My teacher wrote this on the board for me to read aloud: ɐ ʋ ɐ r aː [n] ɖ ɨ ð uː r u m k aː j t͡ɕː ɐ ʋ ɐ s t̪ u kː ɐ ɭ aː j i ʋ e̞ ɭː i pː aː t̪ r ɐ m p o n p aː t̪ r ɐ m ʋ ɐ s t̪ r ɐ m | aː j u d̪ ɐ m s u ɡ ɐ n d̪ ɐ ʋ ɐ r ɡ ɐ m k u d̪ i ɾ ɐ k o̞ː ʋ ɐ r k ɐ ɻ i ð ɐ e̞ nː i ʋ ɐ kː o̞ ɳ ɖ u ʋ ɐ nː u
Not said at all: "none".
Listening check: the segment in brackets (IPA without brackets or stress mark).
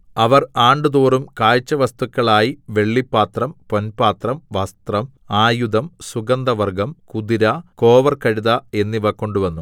ɳ